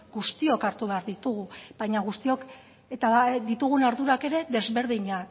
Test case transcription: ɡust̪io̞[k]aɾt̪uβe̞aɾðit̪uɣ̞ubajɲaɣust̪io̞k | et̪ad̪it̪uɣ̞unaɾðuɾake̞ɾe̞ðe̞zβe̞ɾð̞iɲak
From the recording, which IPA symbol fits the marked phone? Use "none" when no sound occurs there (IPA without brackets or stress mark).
k